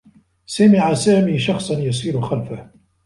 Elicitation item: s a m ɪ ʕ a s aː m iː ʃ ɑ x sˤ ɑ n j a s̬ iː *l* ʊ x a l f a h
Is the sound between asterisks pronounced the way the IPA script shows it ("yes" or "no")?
no